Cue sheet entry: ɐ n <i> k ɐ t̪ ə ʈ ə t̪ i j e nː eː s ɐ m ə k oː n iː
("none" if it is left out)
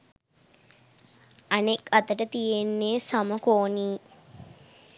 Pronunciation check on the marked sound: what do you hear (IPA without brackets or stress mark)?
e